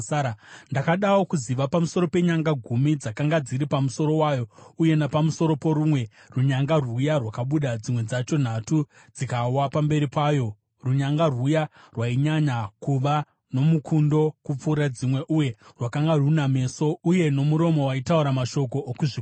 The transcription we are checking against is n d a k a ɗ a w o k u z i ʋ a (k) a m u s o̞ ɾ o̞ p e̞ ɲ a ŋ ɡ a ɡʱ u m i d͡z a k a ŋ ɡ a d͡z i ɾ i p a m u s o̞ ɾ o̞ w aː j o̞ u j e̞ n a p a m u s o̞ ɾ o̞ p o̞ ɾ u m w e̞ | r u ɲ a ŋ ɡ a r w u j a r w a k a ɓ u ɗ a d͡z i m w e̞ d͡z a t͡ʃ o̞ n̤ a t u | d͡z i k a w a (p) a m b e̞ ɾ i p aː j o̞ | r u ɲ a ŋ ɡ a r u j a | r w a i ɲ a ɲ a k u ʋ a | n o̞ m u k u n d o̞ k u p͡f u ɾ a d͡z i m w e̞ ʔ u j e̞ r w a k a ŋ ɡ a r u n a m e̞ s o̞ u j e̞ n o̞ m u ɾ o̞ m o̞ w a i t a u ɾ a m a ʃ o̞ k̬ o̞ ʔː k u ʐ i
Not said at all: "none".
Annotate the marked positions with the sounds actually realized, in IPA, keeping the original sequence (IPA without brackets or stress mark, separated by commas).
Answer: p, p